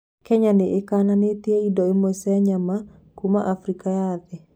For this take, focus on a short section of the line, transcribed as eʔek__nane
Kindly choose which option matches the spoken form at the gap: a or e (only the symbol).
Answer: a